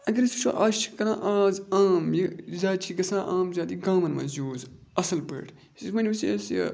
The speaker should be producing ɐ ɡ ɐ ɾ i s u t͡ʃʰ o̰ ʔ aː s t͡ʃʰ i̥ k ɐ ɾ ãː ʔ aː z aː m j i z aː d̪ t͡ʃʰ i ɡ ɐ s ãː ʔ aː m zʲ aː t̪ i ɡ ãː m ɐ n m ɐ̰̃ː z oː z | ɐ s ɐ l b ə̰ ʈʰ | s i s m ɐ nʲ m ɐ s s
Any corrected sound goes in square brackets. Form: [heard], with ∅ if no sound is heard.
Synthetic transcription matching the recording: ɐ ɡ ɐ ɾ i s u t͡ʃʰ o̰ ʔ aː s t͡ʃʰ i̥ k ɐ ɾ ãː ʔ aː z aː m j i z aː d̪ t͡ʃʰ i ɡ ɐ s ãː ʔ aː m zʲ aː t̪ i ɡ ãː m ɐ n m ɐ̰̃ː z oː z | ɐ s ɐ l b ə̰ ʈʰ | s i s m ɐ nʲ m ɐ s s